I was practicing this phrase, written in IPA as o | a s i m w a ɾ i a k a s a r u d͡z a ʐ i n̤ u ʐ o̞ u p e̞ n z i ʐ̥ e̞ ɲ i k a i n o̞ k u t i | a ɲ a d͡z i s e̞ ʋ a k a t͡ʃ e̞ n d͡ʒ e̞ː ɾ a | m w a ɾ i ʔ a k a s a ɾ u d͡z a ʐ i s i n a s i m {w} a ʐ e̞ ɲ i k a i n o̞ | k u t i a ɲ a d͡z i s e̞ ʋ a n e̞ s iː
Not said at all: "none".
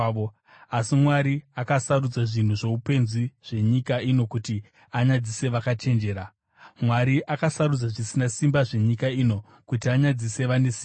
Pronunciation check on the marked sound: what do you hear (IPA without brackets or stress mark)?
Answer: b